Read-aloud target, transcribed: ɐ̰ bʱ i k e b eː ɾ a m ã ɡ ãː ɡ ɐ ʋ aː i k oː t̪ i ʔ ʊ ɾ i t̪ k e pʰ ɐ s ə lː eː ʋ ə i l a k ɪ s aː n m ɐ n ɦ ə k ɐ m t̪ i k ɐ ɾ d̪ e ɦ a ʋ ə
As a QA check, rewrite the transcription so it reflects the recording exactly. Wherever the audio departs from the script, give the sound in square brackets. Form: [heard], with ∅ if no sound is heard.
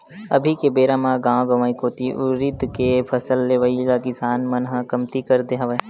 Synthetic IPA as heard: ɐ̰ bʱ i k e b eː ɾ a m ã ɡ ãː ɡ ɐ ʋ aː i k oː t̪ i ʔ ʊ ɾ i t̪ k e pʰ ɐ s ə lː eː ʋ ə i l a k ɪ s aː n m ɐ n ɦ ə k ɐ m t̪ i k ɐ ɾ d̪ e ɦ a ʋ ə